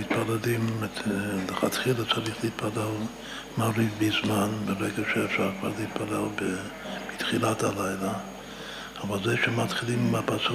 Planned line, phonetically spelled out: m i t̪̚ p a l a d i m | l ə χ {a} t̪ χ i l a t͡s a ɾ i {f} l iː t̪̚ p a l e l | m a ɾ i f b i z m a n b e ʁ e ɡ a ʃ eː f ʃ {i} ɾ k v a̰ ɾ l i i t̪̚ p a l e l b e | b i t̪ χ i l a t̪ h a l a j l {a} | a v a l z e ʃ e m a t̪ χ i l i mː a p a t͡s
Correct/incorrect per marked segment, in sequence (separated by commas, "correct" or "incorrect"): correct, incorrect, incorrect, correct